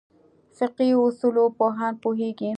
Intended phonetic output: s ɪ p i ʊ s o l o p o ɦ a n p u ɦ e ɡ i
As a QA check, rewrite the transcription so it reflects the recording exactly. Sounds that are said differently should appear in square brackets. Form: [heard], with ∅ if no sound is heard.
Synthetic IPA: s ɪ [q] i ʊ s [u] l o p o ɦ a n p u ɦ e ɡ i